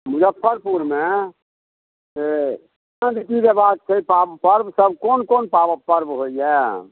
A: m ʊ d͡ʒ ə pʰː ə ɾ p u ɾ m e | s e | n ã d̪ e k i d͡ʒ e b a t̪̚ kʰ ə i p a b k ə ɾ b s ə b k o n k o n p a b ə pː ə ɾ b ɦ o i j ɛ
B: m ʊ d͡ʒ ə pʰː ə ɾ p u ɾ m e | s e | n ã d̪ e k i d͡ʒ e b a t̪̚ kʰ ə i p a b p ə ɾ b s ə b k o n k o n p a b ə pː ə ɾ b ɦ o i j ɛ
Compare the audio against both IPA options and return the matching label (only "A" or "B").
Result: B